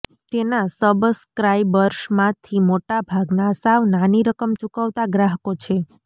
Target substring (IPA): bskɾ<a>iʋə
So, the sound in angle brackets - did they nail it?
yes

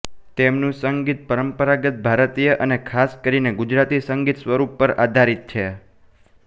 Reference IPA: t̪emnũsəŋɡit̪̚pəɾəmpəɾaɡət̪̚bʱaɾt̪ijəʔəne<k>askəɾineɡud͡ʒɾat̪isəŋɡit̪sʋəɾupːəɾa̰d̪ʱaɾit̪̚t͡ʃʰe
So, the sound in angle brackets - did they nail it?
no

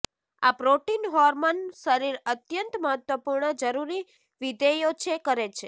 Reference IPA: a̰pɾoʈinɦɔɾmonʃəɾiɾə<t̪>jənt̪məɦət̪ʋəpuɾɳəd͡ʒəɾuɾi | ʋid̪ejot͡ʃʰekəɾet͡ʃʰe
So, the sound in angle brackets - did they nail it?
yes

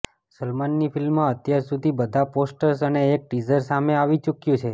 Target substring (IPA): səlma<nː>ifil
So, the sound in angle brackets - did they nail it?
yes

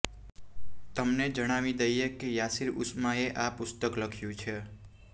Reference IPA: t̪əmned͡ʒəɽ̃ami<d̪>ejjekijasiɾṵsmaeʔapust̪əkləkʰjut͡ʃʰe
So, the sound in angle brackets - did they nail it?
yes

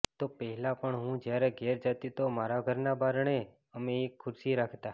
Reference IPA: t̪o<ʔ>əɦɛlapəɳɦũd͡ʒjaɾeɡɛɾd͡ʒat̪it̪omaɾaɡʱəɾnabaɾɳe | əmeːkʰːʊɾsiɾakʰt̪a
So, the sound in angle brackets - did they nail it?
no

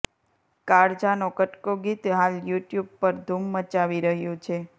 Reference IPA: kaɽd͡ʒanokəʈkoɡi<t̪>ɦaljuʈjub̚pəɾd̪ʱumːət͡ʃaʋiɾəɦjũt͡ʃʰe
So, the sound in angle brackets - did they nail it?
yes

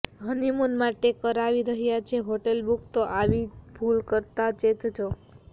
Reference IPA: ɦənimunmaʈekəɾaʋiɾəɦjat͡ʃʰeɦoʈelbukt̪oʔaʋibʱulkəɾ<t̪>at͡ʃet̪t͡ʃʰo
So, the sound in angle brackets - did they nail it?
yes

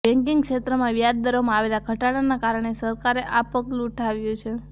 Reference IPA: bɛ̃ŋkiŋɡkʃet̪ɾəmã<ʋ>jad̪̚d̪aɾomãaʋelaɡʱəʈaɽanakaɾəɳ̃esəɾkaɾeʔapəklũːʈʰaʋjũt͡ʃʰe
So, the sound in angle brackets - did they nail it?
yes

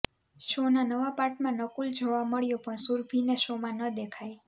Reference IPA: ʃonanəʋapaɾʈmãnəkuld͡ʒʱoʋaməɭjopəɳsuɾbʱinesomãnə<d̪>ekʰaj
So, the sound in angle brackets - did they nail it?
yes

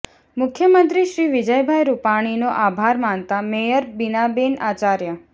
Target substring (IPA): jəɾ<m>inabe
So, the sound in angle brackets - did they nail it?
no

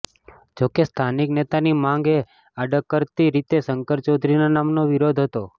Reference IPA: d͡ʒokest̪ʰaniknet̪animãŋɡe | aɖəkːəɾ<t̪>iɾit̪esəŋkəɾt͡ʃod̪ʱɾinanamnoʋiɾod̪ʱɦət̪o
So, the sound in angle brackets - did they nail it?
yes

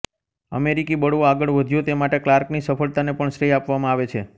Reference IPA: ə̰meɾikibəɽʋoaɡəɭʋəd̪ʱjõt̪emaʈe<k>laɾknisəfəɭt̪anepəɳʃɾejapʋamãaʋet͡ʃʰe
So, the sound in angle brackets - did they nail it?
yes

